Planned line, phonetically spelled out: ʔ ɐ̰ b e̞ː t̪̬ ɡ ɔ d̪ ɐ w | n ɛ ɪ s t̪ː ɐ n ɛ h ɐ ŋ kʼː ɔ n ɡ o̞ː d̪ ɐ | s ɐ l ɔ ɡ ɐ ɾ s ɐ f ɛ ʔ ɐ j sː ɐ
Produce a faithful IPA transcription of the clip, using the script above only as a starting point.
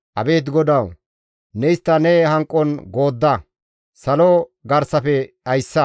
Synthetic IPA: ʔ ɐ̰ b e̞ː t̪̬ ɡ ɔ d̪ ɐ w | n ɛ ɪ s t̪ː ɐ n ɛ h ɐ ŋ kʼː ɔ n ɡ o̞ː d̪ː ɐ | s ɐ l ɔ ɡ ɐ ɾ s ɐ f ɛ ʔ ɐ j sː ɐ